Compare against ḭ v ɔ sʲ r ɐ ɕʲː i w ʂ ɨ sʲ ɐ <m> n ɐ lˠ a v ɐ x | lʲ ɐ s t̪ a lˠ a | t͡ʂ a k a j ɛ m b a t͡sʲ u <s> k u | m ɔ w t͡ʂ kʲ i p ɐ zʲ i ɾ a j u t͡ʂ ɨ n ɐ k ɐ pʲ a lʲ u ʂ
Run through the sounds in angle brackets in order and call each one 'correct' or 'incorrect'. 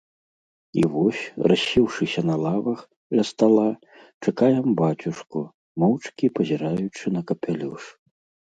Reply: incorrect, incorrect

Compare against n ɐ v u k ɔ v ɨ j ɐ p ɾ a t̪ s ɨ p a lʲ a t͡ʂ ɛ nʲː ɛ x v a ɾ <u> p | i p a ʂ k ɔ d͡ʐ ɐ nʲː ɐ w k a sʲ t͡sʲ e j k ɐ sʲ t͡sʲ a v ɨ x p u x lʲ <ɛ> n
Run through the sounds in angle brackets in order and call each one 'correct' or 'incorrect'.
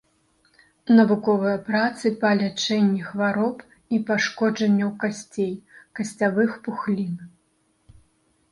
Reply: incorrect, incorrect

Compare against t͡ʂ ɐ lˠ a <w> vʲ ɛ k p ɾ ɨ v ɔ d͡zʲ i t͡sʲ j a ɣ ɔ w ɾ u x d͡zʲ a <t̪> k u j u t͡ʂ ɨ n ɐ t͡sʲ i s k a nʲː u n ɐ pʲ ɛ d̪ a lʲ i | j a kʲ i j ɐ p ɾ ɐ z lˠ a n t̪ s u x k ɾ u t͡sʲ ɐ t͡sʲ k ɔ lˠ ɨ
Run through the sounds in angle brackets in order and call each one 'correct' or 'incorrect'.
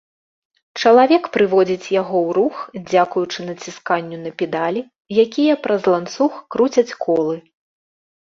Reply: incorrect, incorrect

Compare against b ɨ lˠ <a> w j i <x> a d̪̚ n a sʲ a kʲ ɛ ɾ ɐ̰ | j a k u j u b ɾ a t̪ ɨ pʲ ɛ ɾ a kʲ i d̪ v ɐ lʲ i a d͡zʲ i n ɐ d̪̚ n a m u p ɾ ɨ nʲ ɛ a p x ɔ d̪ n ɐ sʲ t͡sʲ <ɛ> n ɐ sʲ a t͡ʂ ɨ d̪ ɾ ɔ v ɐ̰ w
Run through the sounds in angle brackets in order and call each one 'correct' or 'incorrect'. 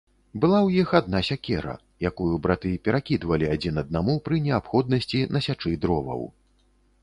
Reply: correct, correct, incorrect

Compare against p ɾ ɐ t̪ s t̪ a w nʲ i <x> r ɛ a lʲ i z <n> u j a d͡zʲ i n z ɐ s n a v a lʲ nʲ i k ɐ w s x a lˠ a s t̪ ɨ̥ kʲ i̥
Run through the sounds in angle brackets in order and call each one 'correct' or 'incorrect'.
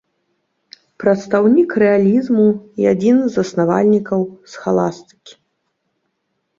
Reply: incorrect, incorrect

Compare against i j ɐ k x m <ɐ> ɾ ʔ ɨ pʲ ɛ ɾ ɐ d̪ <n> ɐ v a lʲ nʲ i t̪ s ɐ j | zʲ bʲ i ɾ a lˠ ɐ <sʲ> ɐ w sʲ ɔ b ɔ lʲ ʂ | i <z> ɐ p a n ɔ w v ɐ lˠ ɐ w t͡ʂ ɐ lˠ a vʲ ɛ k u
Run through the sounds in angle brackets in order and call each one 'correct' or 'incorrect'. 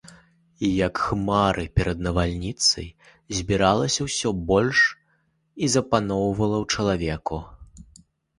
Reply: incorrect, correct, correct, correct

